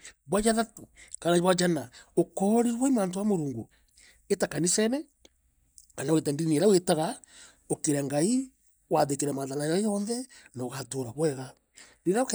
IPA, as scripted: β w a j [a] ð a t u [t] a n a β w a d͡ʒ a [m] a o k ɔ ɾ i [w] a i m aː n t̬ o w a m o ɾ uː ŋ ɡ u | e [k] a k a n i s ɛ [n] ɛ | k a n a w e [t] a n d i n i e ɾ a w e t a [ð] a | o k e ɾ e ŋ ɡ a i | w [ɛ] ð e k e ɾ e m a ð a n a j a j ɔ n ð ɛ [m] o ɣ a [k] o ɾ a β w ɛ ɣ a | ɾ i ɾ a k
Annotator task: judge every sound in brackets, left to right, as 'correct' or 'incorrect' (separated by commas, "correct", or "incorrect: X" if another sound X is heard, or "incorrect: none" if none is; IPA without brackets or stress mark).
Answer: correct, incorrect: k, incorrect: n, correct, incorrect: t, correct, correct, incorrect: ɣ, incorrect: a, incorrect: n, incorrect: t